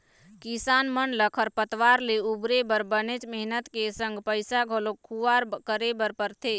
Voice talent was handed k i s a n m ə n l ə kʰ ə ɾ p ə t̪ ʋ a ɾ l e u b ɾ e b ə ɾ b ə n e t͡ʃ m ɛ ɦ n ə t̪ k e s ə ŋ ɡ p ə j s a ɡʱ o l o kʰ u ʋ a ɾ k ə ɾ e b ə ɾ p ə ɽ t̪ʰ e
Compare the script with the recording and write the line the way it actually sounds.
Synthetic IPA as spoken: k i s a n m ə n l ə kʰ ə ɾ p ə t̪ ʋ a ɾ l e u b ɾ e b ə ɾ b ə n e t͡ʃ m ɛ ɦ n ə t̪ k e s ə ŋ ɡ p ə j s a ɡʱ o l o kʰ u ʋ a ɾ k ə ɾ e b ə ɾ p ə ɾ t̪ʰ e